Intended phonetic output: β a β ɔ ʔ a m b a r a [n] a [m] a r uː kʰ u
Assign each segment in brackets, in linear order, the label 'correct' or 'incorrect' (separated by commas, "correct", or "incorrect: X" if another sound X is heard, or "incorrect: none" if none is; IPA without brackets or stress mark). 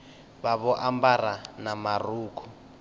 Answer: correct, correct